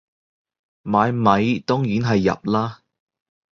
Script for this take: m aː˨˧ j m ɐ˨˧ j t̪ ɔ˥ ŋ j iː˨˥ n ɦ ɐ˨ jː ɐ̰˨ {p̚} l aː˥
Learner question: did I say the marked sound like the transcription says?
yes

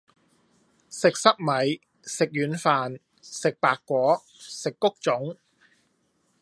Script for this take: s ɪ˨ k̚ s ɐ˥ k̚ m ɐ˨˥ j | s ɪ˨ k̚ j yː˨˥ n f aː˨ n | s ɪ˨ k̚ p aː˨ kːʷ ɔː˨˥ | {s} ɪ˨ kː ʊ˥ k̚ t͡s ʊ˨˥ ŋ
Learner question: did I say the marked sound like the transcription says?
yes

